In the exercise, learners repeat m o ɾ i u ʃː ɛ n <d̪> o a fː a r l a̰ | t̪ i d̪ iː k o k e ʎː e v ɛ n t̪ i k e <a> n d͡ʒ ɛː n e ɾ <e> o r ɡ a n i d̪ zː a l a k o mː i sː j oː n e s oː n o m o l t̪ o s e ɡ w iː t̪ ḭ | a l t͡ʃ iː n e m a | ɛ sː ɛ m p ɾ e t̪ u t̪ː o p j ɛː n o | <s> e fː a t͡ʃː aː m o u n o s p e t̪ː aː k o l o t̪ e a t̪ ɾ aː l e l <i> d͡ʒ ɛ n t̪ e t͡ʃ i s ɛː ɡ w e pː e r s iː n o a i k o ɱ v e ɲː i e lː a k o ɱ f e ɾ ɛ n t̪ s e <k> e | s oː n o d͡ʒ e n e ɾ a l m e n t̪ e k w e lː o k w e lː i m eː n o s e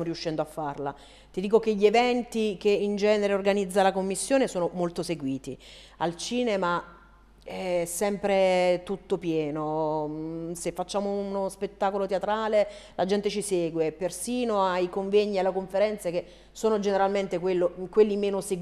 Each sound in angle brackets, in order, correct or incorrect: correct, incorrect: i, correct, correct, incorrect: a, correct

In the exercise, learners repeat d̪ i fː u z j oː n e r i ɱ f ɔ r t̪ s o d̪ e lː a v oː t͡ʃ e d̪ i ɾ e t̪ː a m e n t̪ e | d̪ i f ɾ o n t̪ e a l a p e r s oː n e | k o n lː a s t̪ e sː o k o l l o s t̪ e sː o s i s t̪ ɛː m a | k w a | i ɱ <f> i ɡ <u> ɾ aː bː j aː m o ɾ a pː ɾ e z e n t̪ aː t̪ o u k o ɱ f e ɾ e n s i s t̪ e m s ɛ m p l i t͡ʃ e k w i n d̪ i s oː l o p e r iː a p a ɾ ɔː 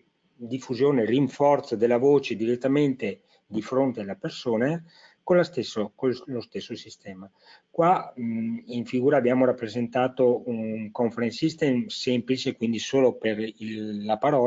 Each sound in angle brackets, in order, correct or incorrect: correct, incorrect: uː

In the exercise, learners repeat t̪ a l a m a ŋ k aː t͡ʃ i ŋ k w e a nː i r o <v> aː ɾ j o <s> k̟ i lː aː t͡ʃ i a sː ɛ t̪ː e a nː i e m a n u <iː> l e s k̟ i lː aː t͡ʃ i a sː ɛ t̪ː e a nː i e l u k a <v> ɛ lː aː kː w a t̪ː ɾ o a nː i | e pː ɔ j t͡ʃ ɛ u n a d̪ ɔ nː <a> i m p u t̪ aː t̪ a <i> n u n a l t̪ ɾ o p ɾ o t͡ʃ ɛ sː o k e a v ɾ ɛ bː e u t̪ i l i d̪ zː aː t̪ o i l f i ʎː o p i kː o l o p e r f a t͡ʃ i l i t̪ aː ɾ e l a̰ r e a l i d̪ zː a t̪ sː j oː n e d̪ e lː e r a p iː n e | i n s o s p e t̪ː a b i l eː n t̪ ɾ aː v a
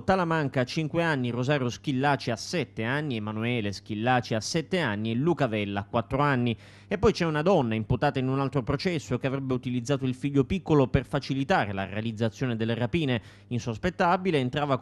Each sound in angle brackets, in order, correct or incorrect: incorrect: z, correct, incorrect: ɛː, correct, correct, correct

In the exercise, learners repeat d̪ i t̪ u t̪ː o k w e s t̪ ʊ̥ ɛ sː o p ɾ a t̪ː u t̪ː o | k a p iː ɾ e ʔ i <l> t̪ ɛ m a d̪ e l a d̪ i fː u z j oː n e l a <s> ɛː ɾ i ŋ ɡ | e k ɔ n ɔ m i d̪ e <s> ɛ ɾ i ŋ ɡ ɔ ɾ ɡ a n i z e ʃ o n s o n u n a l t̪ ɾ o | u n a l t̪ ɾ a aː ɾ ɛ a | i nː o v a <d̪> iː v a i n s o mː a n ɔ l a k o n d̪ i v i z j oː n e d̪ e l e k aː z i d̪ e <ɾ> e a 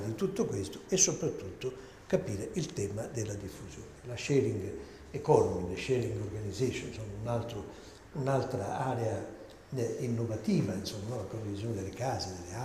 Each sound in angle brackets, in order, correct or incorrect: correct, incorrect: ʃ, incorrect: ʃ, incorrect: t̪, incorrect: l

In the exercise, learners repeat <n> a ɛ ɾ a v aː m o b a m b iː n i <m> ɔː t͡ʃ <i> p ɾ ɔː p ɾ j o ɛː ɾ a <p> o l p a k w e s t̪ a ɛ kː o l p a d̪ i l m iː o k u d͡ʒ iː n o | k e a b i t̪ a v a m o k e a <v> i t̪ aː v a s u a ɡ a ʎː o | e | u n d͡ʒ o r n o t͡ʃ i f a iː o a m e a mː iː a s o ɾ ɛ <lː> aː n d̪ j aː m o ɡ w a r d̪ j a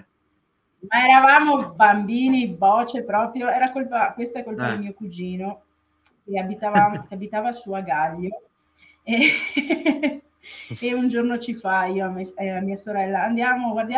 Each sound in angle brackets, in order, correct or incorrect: incorrect: m, incorrect: b, incorrect: e, incorrect: k, incorrect: b, correct

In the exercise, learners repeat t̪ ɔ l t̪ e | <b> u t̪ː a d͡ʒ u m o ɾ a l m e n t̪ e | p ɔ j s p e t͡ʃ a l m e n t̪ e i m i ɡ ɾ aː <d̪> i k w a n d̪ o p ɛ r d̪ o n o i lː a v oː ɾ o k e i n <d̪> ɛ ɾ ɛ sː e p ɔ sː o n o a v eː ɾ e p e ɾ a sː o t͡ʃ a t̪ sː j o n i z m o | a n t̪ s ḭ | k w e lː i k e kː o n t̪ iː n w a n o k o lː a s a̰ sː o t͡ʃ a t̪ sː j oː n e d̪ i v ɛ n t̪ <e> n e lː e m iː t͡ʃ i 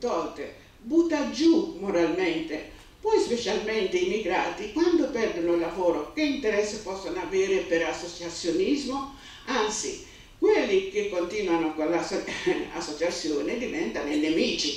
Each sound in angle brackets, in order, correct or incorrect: correct, incorrect: t̪, incorrect: t̪, incorrect: a

